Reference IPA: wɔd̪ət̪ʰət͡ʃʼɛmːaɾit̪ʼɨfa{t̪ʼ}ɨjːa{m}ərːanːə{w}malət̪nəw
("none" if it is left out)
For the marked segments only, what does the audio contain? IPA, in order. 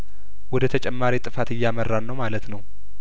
t̪, m, w

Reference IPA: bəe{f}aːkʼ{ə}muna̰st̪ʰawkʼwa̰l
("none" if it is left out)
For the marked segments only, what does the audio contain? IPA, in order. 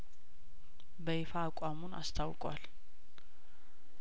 f, a

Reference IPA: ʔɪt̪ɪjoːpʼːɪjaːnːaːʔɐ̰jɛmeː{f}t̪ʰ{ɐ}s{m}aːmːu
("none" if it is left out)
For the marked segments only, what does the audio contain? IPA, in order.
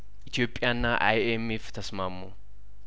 f, ɐ, m

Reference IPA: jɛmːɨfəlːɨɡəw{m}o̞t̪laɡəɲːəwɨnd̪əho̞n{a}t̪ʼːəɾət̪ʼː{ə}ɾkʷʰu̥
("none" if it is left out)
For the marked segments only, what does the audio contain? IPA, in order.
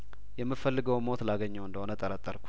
m, ə, ə

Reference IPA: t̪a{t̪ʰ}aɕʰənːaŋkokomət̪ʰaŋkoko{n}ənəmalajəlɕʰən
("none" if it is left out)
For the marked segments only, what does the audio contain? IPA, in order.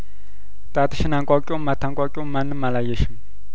t̪, m

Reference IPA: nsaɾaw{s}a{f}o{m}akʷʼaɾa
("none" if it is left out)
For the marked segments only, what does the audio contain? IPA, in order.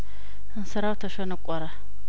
t, ʃ, n

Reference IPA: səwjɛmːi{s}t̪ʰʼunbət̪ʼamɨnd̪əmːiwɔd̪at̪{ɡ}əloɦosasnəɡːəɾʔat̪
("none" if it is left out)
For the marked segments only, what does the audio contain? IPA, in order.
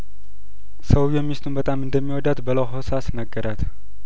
s, b

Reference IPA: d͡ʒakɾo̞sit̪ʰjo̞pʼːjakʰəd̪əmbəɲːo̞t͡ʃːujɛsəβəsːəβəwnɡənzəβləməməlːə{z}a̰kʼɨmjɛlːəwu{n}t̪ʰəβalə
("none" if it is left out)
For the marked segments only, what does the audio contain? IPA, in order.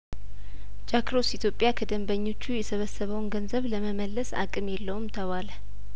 s, m

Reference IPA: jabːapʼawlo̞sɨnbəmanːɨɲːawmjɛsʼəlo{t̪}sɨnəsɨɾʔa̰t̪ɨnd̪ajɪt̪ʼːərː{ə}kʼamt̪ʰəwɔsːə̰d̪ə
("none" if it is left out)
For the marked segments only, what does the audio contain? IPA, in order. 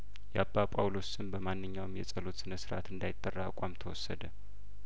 t̪, a

